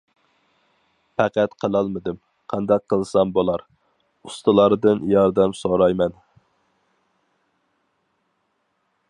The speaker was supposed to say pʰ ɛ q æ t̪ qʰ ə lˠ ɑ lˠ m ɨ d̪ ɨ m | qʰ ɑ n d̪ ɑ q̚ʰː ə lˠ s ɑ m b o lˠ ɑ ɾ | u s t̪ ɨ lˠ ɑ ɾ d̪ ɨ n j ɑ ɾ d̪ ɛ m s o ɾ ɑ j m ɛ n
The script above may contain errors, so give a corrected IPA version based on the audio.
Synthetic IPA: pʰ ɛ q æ t̪ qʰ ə lˠ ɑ lˠ m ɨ d̪ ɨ m | qʰ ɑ n d̪ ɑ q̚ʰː ə lˠ s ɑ m b o lˠ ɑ ɾ | u s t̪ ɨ lˠ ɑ ɾ d̪ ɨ n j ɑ ɾ d̪ ɛ m s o ɾ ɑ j m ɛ n